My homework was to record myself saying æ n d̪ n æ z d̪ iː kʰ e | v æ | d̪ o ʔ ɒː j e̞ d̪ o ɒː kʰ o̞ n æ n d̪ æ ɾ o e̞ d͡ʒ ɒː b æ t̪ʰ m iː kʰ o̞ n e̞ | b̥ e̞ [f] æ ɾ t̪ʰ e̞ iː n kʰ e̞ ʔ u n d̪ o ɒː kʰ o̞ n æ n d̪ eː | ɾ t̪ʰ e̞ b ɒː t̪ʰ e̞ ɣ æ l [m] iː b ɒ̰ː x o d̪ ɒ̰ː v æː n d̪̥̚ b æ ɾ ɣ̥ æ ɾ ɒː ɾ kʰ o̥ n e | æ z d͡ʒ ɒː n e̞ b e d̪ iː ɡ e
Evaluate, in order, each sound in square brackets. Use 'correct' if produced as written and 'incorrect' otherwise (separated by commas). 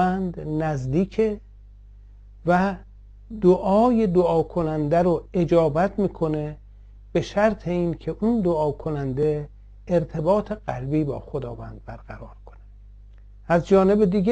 incorrect, incorrect